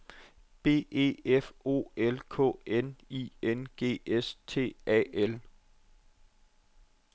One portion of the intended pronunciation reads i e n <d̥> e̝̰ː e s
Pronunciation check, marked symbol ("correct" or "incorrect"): incorrect